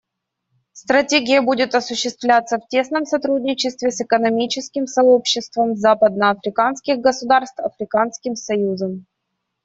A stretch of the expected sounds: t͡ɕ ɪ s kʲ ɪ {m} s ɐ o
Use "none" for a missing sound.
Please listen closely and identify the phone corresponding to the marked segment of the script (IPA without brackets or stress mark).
m